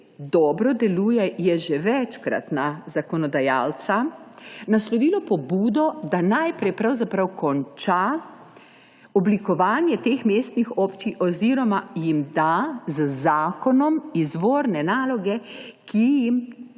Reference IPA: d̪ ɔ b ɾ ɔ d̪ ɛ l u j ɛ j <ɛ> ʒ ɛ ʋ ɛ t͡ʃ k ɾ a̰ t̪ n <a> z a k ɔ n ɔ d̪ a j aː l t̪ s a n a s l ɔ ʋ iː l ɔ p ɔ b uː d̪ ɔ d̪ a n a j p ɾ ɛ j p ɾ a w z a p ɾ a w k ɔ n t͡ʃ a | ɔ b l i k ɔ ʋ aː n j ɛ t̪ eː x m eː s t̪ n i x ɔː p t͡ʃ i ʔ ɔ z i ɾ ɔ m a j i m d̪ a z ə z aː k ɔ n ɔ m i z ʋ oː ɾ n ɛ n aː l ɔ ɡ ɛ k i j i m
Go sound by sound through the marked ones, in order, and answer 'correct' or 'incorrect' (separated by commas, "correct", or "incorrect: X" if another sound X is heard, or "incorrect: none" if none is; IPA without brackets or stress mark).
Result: correct, correct